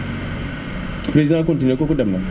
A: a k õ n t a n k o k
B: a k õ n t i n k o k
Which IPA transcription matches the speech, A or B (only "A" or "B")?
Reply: B